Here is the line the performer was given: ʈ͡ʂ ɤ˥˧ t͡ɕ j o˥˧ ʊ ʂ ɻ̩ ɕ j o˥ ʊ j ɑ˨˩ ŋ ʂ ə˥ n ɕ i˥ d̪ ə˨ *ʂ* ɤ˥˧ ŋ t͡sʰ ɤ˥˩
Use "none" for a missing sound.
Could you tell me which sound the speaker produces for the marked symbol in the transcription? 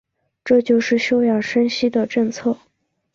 ʈ͡ʂ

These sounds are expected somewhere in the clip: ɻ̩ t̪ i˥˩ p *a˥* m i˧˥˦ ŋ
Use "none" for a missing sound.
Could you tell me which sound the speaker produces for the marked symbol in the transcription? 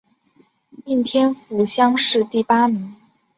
a˥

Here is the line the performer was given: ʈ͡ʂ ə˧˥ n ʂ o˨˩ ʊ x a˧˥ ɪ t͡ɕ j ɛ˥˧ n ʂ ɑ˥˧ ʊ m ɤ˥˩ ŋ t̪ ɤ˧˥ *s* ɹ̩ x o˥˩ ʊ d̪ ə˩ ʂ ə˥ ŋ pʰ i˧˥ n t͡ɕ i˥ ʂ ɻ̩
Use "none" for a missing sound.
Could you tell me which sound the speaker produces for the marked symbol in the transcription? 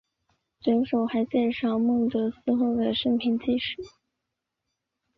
s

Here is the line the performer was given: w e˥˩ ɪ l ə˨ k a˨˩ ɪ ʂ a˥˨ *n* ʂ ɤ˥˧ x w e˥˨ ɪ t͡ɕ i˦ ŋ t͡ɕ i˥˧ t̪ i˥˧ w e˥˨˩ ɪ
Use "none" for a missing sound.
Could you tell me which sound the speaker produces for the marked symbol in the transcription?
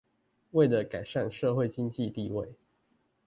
n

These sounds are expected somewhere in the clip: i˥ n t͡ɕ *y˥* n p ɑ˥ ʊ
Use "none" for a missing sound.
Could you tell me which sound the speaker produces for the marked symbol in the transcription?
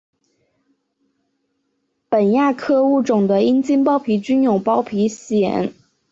i˥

